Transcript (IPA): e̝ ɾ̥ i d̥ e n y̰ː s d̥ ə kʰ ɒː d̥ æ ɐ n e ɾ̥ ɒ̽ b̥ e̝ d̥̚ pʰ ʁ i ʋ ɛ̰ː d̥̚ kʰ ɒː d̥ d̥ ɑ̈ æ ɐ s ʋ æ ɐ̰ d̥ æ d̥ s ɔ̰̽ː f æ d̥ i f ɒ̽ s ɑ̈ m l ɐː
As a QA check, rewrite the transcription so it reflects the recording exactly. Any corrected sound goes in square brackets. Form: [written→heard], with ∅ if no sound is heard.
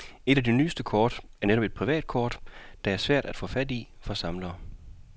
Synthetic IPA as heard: e̝ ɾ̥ [i→æ] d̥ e n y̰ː s d̥ ə kʰ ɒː d̥ æ ɐ n e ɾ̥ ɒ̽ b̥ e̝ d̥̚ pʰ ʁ i ʋ ɛ̰ː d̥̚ kʰ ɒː d̥ d̥ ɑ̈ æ ɐ s ʋ æ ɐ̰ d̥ æ d̥ [s→f] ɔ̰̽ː f æ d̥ i f ɒ̽ s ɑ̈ m l ɐː

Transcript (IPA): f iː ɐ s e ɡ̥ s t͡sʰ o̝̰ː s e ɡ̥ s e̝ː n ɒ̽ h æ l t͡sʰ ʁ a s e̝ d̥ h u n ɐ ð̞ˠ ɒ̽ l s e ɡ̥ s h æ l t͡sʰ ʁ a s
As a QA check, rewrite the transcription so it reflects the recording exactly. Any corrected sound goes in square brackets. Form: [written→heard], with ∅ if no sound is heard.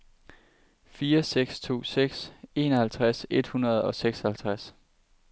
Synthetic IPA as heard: f iː ɐ s e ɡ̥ s t͡sʰ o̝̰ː s e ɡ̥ s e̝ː n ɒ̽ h æ l t͡sʰ ʁ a s e̝ d̥ h u n ɐ ð̞ˠ ɒ̽ [l→∅] s e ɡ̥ s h æ l t͡sʰ ʁ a s

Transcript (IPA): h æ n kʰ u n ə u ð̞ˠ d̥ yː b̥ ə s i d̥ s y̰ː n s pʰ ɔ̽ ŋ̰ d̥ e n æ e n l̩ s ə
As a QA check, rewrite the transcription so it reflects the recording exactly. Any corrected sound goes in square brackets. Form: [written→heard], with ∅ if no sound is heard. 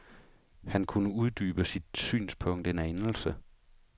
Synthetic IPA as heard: h æ n kʰ u n ə u ð̞ˠ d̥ yː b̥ ə s i d̥ s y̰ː n s pʰ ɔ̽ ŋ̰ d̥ e n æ e n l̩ s ə

